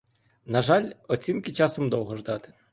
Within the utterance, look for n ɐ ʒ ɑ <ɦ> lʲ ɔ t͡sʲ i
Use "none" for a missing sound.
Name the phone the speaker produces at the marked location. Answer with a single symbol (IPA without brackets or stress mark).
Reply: none